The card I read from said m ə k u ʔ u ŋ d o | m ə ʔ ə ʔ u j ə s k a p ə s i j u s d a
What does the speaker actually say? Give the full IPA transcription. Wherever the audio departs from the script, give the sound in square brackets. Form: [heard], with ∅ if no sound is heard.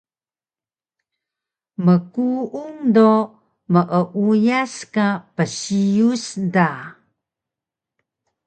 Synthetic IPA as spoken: m ə k u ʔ u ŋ d o | m ə ʔ ə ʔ u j [a] s k a p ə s i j u s d a